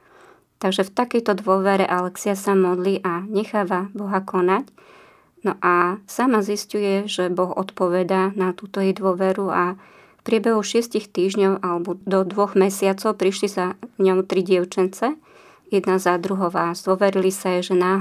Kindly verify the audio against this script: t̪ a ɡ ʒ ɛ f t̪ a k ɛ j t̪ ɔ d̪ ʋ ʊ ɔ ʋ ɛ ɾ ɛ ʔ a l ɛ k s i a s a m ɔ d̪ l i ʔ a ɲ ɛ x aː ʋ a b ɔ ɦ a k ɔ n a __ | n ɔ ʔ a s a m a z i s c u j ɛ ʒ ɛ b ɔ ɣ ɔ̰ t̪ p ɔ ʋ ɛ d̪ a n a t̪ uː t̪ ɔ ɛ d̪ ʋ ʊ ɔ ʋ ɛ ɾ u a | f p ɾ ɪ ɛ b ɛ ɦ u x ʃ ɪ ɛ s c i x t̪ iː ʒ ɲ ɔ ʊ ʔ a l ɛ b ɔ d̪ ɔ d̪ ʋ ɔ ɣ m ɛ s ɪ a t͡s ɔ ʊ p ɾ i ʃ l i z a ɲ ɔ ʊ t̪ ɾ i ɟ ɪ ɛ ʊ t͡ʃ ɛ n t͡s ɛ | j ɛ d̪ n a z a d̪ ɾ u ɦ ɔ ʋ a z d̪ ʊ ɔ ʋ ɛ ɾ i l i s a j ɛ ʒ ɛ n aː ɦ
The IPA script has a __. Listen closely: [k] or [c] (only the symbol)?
c